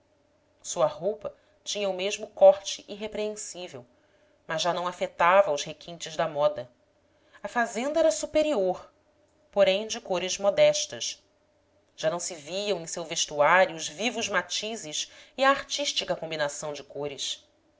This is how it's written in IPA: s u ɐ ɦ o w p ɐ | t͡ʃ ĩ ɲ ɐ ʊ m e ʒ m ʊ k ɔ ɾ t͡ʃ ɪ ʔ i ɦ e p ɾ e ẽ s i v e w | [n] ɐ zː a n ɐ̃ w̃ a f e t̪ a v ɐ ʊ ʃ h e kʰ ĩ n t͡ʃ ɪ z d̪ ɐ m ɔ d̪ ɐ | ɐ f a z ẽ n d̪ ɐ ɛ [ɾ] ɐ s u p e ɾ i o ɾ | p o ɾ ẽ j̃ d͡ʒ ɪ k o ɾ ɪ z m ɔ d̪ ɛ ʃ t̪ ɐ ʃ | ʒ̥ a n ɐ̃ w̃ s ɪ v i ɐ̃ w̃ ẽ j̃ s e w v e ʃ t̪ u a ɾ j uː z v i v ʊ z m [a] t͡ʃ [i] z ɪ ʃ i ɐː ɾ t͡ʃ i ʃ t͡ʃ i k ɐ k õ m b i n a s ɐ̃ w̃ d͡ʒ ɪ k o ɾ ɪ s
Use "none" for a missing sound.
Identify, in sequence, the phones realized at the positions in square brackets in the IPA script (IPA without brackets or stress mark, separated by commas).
m, ɾ, a, i